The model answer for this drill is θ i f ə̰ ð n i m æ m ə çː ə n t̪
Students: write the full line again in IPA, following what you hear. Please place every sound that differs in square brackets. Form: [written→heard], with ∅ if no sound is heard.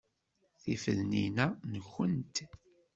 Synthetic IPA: θ i f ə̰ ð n i [m→n] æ [m→n] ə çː ə n t̪